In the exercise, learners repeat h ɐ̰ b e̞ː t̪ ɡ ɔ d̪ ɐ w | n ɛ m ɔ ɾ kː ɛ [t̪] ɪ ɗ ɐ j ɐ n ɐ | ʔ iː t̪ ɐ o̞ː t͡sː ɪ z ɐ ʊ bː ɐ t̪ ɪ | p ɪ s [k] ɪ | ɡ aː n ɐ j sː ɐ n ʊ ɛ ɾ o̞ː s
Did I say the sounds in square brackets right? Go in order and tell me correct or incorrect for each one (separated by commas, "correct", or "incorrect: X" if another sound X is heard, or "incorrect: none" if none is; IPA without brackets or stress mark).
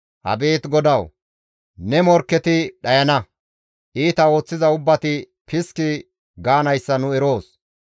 correct, correct